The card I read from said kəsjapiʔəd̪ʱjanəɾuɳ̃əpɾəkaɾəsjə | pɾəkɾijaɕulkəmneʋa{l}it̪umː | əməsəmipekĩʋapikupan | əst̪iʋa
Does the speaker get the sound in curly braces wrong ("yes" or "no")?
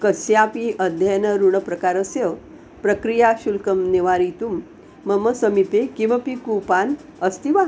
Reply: yes